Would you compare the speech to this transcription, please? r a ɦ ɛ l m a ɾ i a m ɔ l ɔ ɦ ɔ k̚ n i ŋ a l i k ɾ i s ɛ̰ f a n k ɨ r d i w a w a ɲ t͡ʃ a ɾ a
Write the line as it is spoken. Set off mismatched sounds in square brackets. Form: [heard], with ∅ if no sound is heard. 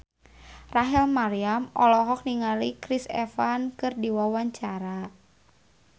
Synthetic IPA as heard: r a ɦ ɛ l m a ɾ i a m ɔ l ɔ ɦ ɔ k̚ n i ŋ a l i k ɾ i s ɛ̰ f a n k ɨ r d i w a w a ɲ t͡ʃ a ɾ a